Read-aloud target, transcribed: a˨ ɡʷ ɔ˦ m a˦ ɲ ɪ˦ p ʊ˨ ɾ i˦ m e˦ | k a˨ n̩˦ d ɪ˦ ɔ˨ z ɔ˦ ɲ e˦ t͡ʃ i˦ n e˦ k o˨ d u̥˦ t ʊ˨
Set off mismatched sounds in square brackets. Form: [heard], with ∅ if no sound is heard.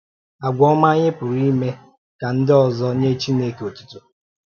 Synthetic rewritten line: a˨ ɡʷ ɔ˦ m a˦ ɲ ɪ˦ p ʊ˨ ɾ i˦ m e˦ | k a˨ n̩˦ d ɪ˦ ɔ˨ z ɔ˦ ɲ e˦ t͡ʃ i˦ n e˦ k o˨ [t] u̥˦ t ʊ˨